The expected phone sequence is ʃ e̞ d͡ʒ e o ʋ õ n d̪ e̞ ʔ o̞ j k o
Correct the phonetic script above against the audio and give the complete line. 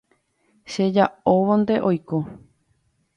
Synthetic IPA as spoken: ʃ e̞ d͡ʒ a o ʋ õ n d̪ e̞ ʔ o̞ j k o